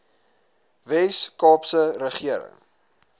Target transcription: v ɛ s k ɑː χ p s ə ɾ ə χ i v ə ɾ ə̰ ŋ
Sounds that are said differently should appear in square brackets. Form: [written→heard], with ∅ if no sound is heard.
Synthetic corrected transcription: v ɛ s k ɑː [χ→∅] p s ə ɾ ə χ i [v→∅] ə ɾ ə̰ ŋ

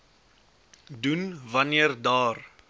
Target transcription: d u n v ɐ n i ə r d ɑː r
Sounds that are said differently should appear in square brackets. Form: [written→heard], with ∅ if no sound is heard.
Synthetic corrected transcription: d u n v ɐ n i ə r d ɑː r

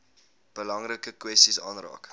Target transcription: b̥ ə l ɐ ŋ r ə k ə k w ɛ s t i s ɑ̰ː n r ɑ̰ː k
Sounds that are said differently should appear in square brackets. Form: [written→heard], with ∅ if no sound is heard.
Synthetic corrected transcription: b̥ ə l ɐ ŋ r ə k ə k w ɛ s t i s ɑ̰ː n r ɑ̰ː k

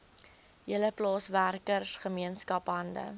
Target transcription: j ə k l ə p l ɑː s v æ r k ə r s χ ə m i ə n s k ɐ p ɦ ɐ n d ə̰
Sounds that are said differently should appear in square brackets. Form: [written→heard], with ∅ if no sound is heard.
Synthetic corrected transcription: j ə [k→∅] l ə p l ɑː s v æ r k ə r s χ ə m i ə n s k ɐ p ɦ ɐ n d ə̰

